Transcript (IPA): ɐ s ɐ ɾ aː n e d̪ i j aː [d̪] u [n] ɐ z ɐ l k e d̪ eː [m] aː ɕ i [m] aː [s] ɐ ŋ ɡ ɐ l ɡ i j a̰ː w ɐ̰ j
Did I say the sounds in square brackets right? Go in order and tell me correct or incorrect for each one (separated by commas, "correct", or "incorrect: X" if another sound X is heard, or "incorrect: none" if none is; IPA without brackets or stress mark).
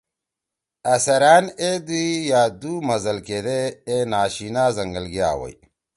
correct, incorrect: m, incorrect: n, incorrect: n, incorrect: z